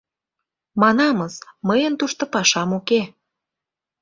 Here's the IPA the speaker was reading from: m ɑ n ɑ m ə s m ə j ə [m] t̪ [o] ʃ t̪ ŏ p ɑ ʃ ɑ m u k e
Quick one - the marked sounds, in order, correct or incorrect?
incorrect, incorrect

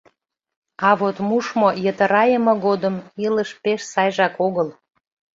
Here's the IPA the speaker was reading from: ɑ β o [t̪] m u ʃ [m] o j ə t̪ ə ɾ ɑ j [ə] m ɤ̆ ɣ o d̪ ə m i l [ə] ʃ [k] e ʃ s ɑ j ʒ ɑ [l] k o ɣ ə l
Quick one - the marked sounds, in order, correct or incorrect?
correct, correct, correct, correct, incorrect, incorrect

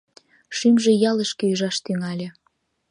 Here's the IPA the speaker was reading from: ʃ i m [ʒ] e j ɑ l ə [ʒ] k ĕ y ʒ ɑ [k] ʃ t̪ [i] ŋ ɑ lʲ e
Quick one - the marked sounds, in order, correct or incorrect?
correct, incorrect, incorrect, incorrect

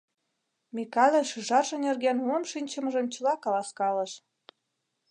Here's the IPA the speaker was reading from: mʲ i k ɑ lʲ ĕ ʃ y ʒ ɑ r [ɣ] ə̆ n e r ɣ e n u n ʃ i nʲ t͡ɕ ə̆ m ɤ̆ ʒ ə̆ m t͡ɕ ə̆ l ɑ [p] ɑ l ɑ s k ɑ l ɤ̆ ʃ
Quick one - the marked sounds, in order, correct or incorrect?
incorrect, incorrect

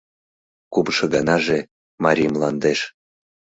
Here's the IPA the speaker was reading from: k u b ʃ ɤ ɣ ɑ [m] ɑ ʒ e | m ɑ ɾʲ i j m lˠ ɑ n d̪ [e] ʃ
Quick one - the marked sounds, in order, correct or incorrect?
incorrect, correct

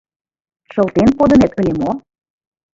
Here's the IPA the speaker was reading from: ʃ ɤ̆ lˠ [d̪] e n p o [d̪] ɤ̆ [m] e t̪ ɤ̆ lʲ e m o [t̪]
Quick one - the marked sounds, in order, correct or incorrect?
incorrect, correct, incorrect, incorrect

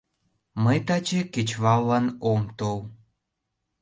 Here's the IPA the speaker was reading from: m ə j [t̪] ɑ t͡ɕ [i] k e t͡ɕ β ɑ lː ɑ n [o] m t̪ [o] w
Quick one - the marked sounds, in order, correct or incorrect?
correct, incorrect, correct, correct

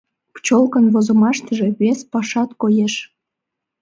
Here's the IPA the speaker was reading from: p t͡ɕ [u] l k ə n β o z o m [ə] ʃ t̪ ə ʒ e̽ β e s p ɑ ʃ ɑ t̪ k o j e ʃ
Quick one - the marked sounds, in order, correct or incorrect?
incorrect, incorrect

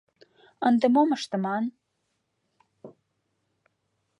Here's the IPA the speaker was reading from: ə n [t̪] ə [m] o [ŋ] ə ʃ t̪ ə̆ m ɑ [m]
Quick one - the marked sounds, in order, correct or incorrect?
incorrect, correct, incorrect, incorrect

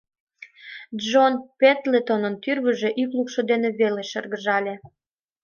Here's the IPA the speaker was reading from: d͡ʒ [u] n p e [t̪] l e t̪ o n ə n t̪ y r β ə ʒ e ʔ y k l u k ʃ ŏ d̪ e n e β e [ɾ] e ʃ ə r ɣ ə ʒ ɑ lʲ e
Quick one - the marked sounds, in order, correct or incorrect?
incorrect, correct, incorrect

